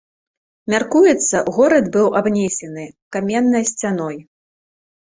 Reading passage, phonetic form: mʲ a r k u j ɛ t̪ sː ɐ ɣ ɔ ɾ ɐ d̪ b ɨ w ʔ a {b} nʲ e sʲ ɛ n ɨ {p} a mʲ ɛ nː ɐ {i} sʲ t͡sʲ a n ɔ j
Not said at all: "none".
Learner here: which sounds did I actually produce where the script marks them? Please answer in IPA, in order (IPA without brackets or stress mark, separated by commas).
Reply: b, k, j